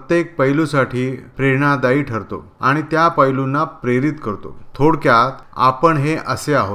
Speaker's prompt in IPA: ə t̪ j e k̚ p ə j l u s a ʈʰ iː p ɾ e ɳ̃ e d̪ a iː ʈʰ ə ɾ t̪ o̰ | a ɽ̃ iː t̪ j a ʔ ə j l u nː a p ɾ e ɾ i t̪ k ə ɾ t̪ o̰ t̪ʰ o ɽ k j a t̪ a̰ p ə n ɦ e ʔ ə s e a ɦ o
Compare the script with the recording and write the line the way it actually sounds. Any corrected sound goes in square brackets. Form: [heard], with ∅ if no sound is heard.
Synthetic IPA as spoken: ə t̪ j e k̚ p ə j l u s a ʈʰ iː p ɾ e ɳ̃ [a] d̪ a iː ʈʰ ə ɾ t̪ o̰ | a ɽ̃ [i] t̪ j a [p] ə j l u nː a p ɾ e ɾ i t̪ k ə ɾ t̪ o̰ t̪ʰ o ɽ k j a t̪ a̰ p ə [ɳ] ɦ e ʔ ə s e a ɦ o